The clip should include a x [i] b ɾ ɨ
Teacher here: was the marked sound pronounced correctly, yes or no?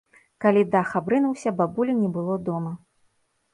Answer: no